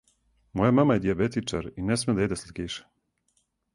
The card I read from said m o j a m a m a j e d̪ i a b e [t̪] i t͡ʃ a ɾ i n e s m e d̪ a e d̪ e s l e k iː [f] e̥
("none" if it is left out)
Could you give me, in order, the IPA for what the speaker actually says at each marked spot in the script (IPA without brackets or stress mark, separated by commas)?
t̪, ʃ